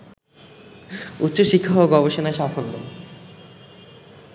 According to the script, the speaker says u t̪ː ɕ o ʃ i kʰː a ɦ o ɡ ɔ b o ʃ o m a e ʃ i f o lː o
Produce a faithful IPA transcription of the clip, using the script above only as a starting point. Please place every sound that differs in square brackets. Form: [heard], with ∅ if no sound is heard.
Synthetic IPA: u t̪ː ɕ o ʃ i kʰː a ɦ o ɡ ɔ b o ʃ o [n] a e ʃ [a] f o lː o